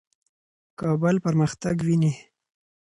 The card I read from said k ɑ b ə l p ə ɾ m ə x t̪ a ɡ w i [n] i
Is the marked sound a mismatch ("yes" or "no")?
no